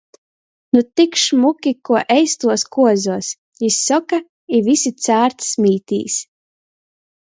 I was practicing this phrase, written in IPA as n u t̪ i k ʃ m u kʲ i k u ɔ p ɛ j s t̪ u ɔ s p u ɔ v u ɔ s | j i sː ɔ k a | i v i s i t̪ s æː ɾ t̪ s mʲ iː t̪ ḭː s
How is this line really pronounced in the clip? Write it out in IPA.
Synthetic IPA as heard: n u t̪ i k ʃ m u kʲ i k u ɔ ʔ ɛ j s t̪ u ɔ s k u ɔ z u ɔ s | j i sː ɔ k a | i v i s i t̪ s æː ɾ t̪ s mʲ iː t̪ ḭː s